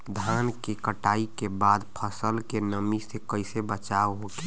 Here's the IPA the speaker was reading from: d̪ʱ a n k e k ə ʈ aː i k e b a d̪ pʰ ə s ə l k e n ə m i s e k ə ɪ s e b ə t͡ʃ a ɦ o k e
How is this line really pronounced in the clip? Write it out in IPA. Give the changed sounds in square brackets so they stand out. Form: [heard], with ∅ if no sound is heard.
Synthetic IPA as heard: d̪ʱ a n k e k ə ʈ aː i k e b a d̪ pʰ ə s ə l k e n ə m i s e k ə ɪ s e b ə t͡ʃ a ɦ o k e